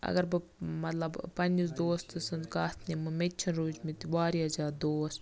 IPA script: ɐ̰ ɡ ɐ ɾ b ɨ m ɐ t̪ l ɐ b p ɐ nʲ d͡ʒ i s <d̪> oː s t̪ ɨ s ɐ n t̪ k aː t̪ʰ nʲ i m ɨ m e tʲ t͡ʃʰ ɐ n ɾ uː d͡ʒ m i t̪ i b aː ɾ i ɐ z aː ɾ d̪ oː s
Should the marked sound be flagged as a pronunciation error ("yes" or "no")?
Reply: no